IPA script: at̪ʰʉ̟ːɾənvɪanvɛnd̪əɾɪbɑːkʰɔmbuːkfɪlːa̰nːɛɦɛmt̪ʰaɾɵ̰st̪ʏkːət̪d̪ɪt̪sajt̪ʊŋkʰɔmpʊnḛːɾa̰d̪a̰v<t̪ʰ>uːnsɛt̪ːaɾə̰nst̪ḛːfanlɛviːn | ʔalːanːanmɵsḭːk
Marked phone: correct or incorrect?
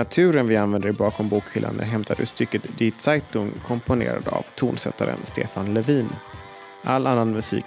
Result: correct